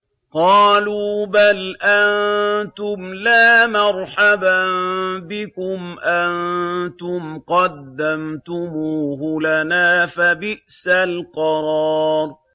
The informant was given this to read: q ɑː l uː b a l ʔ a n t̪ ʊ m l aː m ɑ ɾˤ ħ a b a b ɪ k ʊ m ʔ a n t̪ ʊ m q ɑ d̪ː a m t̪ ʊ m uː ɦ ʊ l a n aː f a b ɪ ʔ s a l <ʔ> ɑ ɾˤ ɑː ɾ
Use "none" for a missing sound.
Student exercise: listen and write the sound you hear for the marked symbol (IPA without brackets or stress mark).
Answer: q